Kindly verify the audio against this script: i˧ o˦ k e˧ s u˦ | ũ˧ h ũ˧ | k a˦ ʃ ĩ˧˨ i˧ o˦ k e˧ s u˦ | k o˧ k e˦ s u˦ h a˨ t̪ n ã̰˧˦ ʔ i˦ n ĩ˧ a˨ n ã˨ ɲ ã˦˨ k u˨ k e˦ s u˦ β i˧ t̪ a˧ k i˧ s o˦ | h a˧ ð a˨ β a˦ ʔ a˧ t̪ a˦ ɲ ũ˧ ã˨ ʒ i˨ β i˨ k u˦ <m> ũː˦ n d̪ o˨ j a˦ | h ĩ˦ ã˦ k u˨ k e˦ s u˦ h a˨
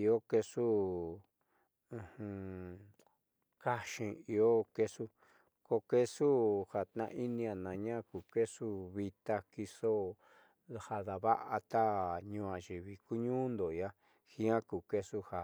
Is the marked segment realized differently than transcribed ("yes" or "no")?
yes